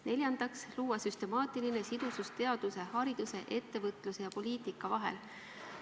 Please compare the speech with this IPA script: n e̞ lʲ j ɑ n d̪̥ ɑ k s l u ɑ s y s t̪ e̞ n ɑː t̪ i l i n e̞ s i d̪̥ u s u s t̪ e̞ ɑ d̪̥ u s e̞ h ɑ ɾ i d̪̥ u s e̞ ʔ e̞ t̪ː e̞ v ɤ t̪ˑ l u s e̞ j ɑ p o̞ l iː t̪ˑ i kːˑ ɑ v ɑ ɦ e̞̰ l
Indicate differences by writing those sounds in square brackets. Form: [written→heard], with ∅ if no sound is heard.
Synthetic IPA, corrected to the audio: n e̞ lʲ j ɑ n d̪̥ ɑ k s l [u→uː] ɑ s y s t̪ e̞ [n→m] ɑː t̪ i l i n e̞ s i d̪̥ u s u s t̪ e̞ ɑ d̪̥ u s e̞ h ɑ ɾ i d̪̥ u s e̞ ʔ e̞ t̪ː e̞ v ɤ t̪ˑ l u s e̞ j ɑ p o̞ l iː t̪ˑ i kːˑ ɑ v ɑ ɦ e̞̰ l

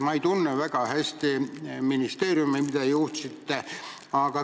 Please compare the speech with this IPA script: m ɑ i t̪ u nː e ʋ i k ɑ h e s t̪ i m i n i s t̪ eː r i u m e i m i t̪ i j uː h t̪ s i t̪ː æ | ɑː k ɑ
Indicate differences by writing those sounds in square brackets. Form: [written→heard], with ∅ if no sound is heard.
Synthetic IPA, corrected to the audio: m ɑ i t̪ u nː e ʋ [i→æ] k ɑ h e s t̪ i m i n i s t̪ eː r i u m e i m i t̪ [i→æ] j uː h t̪ s i t̪ː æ | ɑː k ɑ

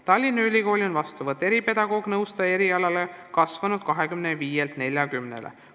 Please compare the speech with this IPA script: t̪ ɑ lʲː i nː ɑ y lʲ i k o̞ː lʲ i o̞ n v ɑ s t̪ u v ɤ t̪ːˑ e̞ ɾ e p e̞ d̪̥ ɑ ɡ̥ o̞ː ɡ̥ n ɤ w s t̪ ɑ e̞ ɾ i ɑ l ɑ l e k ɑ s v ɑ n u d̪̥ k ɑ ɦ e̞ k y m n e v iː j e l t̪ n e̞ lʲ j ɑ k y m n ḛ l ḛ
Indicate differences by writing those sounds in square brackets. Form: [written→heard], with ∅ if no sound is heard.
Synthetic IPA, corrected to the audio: t̪ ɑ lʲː i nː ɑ y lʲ i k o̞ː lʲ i o̞ n v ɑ s t̪ u v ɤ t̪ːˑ e̞ ɾ [e→i] p e̞ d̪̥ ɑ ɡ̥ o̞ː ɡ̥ n ɤ w s t̪ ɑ e̞ ɾ i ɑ l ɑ l e k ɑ s v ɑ n u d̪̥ k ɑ ɦ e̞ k y m n e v iː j e l t̪ n e̞ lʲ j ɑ k y m n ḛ l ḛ

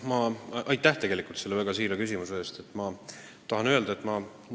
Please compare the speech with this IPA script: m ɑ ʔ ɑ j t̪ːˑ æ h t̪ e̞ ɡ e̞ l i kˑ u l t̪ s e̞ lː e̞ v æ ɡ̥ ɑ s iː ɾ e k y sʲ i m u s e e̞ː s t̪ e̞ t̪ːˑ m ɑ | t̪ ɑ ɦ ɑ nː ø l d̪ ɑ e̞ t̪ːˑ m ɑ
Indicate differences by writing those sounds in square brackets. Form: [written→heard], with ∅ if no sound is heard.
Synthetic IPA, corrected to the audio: m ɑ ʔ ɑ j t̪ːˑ æ h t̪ e̞ ɡ e̞ l i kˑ u l t̪ s e̞ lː e̞ v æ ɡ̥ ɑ s iː ɾ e k y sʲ i m u s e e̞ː s t̪ e̞ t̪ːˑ m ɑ | t̪ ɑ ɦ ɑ [nː→n] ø l d̪ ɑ e̞ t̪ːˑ m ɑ

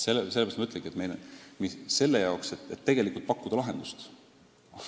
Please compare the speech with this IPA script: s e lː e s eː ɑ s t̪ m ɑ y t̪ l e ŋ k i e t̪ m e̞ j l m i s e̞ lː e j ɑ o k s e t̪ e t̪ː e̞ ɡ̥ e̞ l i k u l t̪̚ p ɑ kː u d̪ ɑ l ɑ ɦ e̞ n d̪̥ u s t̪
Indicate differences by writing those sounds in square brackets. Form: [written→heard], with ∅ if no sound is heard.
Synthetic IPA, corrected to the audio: s e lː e s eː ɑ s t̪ m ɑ y t̪ l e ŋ [k→ɡ] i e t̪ m e̞ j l m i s e̞ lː e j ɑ o k s e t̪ e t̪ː e̞ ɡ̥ e̞ l i k u l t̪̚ p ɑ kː u d̪ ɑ l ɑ ɦ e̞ n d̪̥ u s t̪

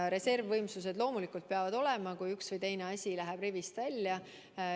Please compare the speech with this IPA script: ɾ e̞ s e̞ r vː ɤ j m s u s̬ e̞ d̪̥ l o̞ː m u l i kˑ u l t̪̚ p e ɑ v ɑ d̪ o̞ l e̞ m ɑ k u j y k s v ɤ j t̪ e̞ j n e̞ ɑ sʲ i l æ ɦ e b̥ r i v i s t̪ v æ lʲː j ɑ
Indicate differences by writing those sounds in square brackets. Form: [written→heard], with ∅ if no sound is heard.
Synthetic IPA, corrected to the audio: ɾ e̞ s e̞ r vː ɤ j m s u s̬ e̞ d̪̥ l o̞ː m u l i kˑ u l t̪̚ p e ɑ v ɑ d̪ o̞ l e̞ m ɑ k u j y k s v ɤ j t̪ e̞ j n e̞ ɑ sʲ i l æ ɦ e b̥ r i v i s t̪ v æ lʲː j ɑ

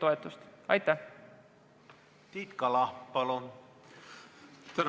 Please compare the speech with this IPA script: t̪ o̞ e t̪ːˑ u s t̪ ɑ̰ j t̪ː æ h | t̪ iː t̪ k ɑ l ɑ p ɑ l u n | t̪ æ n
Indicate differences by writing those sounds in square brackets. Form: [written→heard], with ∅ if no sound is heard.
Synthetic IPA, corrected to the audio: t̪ o̞ e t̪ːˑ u s t̪ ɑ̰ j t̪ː æ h | t̪ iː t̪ k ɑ l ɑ p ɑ l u n | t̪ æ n

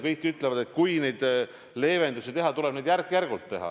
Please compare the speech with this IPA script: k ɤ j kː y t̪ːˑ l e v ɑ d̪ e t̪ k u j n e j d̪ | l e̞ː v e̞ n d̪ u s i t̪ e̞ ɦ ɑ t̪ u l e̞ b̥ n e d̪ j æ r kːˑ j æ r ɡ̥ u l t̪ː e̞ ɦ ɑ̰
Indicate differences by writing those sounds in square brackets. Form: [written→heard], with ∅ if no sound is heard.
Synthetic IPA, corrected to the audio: k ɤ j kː y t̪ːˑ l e v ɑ d̪ e t̪ k u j n e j d̪ | l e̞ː v e̞ n d̪ u s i t̪ e̞ ɦ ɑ t̪ u l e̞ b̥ n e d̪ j æ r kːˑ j æ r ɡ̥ u l t̪ː e̞ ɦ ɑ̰

